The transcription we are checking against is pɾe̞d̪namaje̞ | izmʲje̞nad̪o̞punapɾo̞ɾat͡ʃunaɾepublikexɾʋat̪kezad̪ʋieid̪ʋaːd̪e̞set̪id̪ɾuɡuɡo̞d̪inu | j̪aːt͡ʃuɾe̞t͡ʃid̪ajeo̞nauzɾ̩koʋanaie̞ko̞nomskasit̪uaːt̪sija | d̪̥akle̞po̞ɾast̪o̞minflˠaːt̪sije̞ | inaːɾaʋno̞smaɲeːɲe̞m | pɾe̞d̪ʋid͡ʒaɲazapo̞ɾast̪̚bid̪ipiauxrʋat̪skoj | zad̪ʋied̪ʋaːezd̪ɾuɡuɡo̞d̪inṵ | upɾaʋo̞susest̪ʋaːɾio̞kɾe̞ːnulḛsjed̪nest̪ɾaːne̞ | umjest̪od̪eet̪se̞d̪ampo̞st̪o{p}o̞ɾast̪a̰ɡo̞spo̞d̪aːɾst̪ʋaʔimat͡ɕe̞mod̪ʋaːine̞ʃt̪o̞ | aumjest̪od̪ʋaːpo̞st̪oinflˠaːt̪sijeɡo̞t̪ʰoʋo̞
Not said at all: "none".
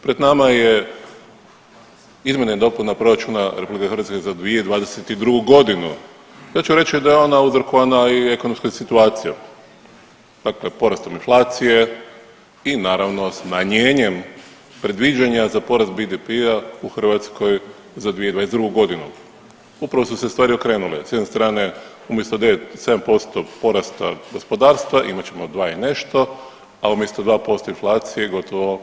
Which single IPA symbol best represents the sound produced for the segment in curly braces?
p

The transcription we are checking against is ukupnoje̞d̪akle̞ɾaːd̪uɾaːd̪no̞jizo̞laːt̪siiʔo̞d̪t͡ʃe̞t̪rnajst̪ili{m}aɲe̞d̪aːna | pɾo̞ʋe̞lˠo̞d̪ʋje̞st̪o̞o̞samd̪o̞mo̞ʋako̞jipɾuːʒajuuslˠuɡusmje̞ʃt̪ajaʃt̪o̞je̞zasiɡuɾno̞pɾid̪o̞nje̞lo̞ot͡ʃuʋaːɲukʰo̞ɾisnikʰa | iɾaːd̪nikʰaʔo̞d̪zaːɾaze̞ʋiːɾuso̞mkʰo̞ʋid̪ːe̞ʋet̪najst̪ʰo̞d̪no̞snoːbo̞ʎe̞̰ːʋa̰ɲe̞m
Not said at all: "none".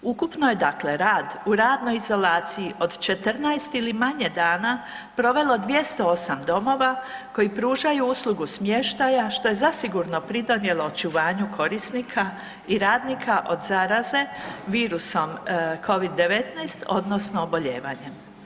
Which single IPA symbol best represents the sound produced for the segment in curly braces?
m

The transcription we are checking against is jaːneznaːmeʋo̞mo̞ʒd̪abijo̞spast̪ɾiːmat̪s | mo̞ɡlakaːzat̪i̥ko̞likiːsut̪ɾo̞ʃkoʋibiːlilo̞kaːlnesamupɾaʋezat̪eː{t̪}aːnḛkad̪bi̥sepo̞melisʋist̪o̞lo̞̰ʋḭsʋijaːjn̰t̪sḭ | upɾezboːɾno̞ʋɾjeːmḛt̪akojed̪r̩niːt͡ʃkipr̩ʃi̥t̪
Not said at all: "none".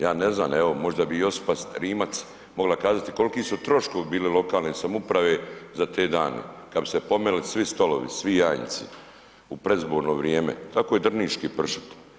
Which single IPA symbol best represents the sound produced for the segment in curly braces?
d̪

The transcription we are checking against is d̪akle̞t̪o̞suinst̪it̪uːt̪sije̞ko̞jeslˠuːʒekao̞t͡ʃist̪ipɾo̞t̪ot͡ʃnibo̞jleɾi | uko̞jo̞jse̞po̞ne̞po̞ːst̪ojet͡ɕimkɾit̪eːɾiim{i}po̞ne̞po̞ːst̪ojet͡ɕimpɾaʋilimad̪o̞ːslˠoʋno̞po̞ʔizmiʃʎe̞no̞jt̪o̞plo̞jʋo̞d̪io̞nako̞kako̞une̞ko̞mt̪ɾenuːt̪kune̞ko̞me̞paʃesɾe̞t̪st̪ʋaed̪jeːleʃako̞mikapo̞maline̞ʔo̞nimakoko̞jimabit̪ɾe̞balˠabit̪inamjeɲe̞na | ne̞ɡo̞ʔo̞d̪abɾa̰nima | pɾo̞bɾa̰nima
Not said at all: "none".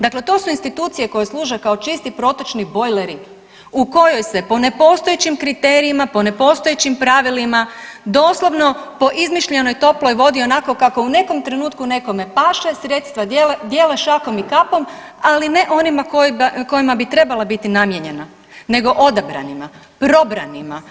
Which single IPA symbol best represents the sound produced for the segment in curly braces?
a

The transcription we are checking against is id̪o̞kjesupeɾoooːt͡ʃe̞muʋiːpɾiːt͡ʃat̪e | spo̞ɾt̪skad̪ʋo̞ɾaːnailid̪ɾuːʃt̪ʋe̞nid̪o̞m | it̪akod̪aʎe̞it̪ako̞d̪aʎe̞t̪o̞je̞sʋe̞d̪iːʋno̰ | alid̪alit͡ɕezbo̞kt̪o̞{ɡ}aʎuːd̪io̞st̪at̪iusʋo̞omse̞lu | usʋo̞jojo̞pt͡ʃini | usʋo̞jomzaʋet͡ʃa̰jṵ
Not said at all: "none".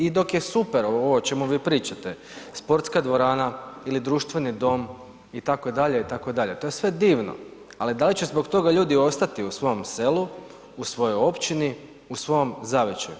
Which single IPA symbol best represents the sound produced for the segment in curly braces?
ɡ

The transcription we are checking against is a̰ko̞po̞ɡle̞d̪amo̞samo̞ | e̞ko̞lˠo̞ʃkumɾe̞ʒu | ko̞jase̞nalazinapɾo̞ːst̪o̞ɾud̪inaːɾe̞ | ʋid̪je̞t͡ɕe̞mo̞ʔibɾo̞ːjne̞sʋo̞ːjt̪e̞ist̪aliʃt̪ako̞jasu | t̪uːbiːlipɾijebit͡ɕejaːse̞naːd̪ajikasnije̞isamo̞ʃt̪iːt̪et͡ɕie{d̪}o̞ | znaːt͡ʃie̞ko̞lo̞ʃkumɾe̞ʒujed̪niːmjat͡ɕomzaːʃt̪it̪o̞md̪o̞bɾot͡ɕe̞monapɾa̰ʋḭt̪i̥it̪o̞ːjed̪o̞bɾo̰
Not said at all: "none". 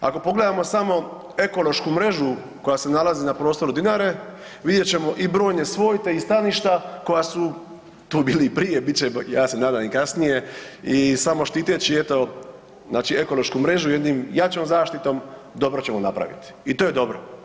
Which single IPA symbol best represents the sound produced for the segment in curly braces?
t̪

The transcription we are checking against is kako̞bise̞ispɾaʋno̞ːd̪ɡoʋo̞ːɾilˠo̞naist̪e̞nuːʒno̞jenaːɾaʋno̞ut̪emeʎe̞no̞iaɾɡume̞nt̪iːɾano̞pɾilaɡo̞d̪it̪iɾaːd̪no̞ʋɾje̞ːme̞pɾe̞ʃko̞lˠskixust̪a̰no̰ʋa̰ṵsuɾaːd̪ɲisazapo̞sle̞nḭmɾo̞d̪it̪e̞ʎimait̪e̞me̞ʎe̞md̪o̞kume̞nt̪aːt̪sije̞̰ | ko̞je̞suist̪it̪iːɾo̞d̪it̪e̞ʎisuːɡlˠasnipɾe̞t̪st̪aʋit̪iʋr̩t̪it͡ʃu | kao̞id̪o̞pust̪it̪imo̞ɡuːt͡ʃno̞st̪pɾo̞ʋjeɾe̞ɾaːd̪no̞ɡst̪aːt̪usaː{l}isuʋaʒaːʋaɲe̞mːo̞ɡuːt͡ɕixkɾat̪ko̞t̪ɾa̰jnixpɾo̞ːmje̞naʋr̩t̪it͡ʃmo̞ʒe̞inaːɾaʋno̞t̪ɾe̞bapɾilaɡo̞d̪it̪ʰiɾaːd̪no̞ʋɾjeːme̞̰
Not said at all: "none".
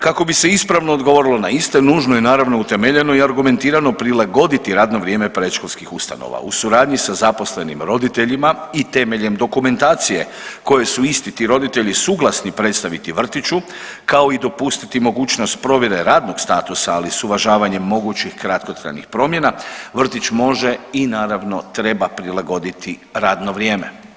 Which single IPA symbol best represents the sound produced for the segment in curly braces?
l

